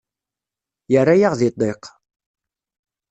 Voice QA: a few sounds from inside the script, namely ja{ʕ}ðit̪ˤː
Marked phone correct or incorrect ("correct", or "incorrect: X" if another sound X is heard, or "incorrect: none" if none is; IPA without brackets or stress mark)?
incorrect: ʁ